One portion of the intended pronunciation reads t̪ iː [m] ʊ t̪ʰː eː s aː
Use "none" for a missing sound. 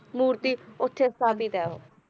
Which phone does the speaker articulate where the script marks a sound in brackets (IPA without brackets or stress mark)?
none